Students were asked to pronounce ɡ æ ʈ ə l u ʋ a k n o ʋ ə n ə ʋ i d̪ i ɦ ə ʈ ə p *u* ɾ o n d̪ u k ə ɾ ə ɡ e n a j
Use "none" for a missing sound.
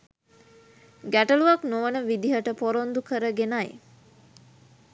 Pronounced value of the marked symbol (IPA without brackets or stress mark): o